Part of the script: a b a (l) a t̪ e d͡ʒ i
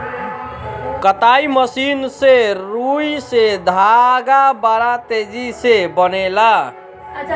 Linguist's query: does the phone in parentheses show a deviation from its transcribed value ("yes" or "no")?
yes